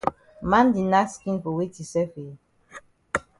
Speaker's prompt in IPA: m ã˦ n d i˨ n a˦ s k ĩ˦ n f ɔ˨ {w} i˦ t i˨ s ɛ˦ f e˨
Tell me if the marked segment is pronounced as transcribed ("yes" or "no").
yes